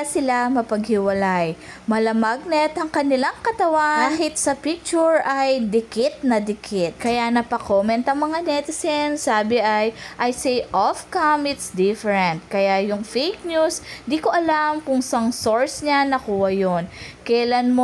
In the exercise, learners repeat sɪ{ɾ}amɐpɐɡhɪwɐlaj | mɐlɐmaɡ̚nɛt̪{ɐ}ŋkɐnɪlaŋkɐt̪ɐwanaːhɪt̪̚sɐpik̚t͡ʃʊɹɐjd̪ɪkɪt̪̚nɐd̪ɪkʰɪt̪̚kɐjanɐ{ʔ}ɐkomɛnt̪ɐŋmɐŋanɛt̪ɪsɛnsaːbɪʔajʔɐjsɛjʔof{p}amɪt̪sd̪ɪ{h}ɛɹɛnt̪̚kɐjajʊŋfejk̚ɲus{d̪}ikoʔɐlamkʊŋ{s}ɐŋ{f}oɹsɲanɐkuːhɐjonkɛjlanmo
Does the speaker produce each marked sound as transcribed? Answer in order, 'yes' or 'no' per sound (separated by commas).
no, yes, no, no, no, yes, yes, no